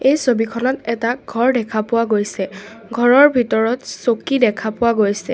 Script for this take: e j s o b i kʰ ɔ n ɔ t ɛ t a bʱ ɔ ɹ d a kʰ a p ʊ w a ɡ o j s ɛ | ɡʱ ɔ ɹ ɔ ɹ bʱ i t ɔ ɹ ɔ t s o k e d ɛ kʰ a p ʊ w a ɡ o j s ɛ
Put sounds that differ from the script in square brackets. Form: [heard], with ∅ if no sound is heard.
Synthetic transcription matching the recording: e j s o b i kʰ ɔ n ɔ t ɛ t a [ɡʱ] ɔ ɹ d [ɛ] kʰ a p ʊ w a ɡ o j s ɛ | ɡʱ ɔ ɹ ɔ ɹ bʱ i t ɔ ɹ ɔ t s o k [i] d ɛ kʰ a p ʊ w a ɡ o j s ɛ